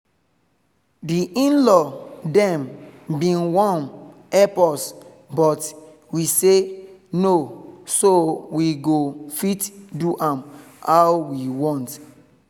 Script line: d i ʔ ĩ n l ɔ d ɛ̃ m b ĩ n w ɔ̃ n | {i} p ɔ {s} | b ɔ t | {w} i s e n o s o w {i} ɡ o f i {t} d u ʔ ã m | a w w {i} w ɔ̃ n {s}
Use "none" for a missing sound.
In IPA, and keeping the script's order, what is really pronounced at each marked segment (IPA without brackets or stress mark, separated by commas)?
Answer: ɛ, s, w, i, t, i, t